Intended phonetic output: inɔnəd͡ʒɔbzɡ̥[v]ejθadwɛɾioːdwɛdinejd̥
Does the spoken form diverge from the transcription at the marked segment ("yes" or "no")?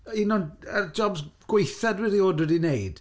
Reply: yes